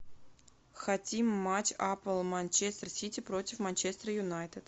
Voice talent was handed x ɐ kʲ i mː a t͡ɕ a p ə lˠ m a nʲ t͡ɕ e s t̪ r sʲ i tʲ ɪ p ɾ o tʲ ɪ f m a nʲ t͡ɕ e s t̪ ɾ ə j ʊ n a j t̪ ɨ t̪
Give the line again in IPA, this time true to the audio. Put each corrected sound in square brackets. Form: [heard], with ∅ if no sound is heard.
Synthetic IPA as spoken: x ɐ [tʲ] i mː a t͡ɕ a p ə lˠ m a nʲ t͡ɕ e s t̪ r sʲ i tʲ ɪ p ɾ o tʲ ɪ f m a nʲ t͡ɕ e s t̪ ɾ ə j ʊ n a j t̪ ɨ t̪